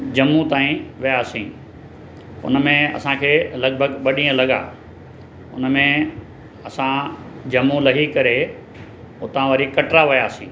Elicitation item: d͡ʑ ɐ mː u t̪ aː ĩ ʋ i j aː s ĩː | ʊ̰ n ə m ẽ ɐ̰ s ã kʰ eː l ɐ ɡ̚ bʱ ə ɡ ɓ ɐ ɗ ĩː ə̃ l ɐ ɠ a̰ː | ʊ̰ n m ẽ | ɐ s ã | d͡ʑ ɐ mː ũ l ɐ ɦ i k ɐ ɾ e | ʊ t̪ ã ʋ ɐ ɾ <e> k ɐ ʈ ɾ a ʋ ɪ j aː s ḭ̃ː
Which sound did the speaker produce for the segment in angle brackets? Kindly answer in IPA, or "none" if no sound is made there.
i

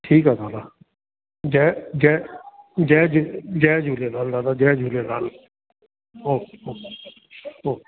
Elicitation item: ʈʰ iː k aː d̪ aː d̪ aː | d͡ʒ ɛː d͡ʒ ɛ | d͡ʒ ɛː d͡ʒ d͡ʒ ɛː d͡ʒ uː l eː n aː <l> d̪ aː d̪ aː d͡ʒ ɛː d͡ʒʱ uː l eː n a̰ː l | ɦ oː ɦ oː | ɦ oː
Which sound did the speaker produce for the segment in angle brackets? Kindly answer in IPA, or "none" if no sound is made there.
l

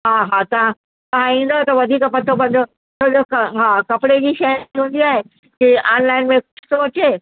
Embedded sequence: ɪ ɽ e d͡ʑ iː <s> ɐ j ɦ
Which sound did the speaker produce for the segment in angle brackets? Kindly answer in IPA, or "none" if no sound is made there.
ʃ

